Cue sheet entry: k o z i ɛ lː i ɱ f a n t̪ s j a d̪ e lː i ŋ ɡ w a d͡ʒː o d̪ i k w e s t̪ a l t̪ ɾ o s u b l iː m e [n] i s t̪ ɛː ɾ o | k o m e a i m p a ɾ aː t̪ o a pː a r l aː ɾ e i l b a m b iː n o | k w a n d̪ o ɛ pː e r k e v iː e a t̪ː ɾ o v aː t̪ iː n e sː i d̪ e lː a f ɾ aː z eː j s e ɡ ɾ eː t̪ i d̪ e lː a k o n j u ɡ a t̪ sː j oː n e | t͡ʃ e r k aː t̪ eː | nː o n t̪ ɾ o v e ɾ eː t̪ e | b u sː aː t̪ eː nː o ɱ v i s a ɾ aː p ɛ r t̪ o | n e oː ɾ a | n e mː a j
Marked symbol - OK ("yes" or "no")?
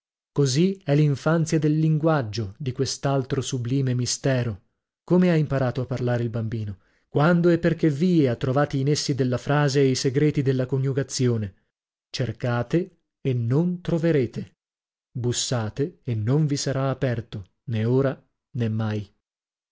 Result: no